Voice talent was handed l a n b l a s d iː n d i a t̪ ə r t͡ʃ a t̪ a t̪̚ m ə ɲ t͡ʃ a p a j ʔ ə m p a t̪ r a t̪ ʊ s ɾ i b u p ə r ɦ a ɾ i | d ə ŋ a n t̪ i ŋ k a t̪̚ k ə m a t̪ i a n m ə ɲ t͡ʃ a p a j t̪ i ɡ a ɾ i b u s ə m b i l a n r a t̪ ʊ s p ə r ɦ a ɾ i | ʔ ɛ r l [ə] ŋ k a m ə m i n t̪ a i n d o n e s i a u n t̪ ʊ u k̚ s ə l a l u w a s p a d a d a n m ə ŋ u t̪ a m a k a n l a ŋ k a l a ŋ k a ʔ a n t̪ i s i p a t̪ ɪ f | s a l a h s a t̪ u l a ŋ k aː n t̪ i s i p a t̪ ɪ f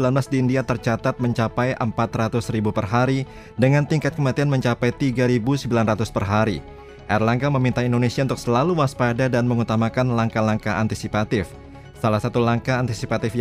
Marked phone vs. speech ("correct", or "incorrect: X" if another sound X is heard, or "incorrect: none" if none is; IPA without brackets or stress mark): incorrect: a